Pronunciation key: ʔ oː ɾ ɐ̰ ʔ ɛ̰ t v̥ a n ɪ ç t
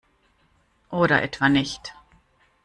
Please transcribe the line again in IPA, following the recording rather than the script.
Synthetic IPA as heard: ʔ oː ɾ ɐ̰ ʔ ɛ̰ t v̥ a n ɪ ç t